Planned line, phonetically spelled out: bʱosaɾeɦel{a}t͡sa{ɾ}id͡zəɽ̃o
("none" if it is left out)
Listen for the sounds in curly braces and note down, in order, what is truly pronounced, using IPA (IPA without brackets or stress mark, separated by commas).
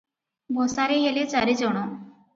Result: e, ɾ